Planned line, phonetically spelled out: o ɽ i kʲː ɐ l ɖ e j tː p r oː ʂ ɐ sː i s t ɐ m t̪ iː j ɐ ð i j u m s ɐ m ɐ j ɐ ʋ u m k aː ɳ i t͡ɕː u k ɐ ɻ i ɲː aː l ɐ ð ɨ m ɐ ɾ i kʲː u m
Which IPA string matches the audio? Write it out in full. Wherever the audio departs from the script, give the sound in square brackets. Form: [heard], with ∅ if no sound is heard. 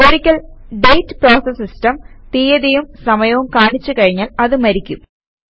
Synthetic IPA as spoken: o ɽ i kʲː ɐ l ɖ e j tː p r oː [s] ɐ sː i s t ɐ m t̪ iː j ɐ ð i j u m s ɐ m ɐ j ɐ ʋ u m k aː ɳ i t͡ɕː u k ɐ ɻ i ɲː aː l ɐ ð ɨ m ɐ ɾ i kʲː u m